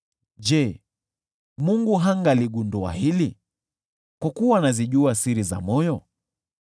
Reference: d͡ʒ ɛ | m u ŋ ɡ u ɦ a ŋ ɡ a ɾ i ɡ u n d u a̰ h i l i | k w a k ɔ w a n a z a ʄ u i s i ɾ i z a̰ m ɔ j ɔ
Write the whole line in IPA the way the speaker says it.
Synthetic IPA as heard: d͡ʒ ɛ | m u ŋ ɡ u ɦ a ŋ ɡ a l i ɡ u n d u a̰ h i l i | k w a k u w a n a z i ʄ u a s i ɾ i z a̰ m ɔ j ɔ